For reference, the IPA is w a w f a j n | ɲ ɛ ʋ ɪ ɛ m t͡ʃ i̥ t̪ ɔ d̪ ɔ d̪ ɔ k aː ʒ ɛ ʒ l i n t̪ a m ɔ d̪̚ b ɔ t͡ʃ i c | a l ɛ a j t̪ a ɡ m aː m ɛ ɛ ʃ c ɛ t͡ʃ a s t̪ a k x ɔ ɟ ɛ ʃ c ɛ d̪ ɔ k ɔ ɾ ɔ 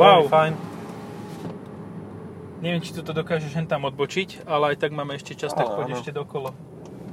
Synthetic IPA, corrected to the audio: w a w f a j n | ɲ ɛ ʋ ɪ ɛ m t͡ʃ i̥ t̪ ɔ t̪ ɔ d̪ ɔ k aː ʒ ɛ ʒ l ɛ n t̪ a m ɔ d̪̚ b ɔ t͡ʃ i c | a l ɛ a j t̪ a ɡ m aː m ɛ ɛ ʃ c ɛ t͡ʃ a s t̪ a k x ɔ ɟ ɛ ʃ c ɛ d̪ ɔ k ɔ l ɔ